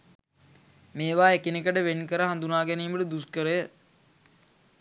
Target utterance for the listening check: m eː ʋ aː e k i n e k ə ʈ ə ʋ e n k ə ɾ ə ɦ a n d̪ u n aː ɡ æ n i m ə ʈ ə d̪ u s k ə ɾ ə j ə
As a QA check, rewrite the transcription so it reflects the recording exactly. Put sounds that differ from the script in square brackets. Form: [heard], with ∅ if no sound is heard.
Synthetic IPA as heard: m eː ʋ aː e k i n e k ə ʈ ə ʋ e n k ə ɾ ə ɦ a n d̪ u n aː ɡ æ n [iː] m ə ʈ ə d̪ u s k ə ɾ ə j ə